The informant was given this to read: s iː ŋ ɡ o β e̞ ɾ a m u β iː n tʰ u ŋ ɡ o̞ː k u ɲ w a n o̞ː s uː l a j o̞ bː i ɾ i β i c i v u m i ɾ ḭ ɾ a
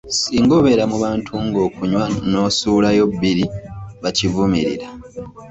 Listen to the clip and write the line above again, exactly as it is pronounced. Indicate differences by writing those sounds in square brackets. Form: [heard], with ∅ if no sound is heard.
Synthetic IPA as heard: s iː ŋ ɡ o β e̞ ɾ a m u β [aː] n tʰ u ŋ ɡ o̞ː k u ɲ w a n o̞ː s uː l a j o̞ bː i ɾ i β [a] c i v u m i ɾ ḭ ɾ a